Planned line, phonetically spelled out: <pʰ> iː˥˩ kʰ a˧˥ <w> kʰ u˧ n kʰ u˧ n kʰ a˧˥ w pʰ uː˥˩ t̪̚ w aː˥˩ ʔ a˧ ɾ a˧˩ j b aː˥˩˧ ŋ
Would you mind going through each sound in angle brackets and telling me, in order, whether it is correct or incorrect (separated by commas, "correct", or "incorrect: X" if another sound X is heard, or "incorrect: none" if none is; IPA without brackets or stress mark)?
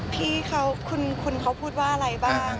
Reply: correct, correct